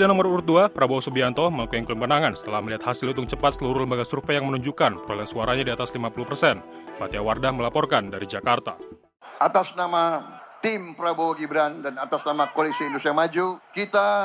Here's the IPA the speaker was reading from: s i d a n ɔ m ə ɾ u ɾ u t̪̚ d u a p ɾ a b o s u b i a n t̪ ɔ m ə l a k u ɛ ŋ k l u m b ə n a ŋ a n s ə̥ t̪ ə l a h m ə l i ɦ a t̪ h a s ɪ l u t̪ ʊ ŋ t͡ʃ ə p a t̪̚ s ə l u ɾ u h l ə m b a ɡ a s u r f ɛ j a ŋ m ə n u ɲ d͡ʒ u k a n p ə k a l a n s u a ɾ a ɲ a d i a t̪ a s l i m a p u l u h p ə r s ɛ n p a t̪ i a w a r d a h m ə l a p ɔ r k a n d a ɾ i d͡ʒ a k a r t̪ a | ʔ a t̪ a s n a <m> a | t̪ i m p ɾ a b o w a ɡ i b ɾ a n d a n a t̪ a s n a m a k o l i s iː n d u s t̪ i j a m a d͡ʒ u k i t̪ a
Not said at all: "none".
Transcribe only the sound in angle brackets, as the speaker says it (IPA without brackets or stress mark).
m